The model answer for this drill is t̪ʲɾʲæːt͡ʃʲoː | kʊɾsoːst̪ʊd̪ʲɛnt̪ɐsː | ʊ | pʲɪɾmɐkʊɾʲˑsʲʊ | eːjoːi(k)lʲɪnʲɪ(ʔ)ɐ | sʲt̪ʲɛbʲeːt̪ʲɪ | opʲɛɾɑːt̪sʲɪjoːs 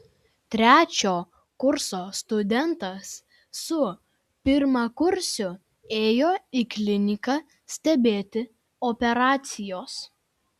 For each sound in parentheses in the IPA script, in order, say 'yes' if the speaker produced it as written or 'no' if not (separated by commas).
yes, no